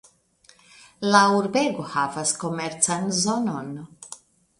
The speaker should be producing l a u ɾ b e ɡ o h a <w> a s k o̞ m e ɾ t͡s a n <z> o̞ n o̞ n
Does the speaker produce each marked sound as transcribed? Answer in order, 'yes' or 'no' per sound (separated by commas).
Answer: no, yes